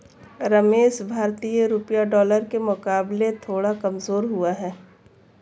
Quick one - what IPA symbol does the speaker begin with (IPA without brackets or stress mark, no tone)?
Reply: ɾ